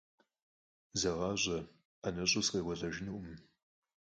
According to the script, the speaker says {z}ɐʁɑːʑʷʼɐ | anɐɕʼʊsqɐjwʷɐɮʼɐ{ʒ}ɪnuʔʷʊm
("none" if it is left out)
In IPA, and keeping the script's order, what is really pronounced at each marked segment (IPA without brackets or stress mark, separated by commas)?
z, ʒ